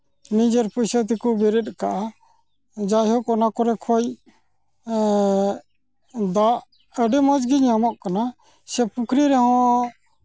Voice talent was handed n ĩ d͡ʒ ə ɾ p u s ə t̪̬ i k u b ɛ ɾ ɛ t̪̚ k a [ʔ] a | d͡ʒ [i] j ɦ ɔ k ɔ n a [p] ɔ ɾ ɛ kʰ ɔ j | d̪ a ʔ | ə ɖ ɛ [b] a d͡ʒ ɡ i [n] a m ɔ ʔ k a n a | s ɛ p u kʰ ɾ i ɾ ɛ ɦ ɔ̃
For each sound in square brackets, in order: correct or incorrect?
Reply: correct, incorrect, incorrect, incorrect, incorrect

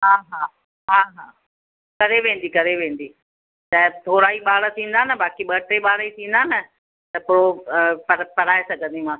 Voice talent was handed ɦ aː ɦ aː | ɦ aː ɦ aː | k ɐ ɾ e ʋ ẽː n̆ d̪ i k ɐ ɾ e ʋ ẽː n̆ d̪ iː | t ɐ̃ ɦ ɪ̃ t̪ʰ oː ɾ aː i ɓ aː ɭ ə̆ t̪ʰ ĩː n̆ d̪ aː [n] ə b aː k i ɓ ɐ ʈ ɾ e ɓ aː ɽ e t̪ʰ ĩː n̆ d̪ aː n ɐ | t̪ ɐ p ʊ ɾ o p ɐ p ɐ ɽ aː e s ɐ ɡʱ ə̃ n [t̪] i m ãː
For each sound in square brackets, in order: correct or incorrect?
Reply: correct, incorrect

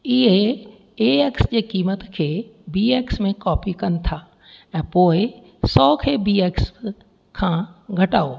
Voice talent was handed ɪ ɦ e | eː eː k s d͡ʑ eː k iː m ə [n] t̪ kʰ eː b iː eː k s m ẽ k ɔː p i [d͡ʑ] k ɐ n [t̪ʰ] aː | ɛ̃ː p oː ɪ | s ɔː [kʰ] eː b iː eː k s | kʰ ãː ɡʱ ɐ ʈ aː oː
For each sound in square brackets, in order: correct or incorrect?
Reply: incorrect, incorrect, correct, correct

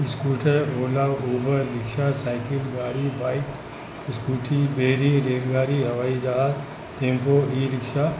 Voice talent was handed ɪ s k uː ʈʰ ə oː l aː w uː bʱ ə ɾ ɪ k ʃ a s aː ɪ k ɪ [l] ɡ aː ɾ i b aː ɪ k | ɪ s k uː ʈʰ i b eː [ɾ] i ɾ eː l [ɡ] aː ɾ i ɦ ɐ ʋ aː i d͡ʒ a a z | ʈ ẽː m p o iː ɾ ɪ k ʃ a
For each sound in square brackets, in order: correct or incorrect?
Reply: correct, correct, correct

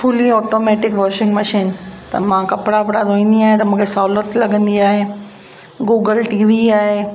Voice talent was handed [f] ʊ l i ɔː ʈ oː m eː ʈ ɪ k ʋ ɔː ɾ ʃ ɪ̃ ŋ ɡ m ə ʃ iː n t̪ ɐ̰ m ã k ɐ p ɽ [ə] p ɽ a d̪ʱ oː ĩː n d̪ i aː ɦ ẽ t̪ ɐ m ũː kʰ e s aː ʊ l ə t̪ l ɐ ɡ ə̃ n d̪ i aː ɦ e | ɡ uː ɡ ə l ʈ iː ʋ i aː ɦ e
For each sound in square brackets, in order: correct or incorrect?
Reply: correct, incorrect

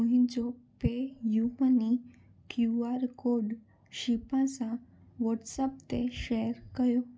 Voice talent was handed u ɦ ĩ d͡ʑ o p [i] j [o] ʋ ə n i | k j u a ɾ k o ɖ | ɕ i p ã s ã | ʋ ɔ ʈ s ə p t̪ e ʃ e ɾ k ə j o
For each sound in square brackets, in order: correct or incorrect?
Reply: incorrect, incorrect

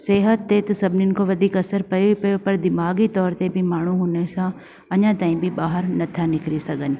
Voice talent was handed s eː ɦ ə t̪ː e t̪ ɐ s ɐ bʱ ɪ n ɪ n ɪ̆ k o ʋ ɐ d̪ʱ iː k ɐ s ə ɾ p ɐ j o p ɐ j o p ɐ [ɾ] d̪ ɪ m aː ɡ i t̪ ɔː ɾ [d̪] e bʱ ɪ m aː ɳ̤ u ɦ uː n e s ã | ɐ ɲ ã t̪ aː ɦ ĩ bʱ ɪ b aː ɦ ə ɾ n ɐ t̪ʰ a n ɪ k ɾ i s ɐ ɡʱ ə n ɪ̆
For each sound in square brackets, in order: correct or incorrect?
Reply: correct, incorrect

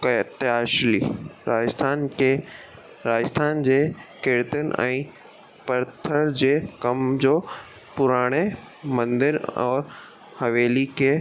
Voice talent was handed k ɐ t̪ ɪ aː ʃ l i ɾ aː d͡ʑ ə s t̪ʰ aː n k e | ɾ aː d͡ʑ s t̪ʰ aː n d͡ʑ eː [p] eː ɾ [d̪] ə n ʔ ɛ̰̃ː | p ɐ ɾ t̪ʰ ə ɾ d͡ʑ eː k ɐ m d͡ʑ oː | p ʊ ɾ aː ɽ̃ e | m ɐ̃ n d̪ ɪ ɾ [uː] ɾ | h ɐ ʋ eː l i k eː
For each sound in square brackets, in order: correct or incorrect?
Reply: incorrect, incorrect, incorrect

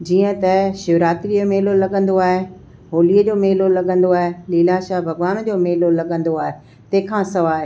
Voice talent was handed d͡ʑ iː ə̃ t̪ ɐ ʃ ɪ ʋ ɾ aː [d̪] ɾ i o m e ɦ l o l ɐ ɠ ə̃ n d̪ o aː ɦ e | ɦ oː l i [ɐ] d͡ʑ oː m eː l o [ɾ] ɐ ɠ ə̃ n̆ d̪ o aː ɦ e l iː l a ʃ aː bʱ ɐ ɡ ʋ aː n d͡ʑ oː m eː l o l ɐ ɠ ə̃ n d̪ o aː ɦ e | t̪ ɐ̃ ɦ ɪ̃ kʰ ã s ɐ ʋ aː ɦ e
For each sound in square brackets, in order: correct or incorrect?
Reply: incorrect, incorrect, incorrect

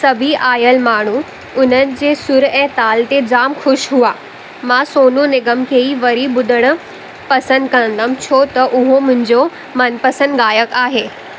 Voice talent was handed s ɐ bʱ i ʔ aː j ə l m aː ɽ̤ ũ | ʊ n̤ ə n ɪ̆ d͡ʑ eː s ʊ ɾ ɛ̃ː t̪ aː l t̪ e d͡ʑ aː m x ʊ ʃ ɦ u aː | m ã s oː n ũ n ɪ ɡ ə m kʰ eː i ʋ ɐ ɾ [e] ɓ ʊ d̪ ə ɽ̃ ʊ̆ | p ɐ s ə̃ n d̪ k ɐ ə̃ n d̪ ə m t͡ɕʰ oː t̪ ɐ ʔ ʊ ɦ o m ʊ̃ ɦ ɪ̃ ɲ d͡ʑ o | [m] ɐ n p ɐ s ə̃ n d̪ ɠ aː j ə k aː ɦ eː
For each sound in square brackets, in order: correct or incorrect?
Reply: incorrect, correct

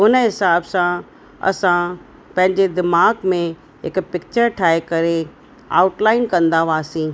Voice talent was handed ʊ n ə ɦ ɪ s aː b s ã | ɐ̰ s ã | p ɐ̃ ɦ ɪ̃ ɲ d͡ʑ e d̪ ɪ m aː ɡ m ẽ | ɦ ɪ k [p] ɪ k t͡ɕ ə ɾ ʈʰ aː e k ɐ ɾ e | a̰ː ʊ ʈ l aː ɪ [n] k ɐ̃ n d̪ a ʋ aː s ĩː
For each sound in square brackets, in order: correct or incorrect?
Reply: correct, correct

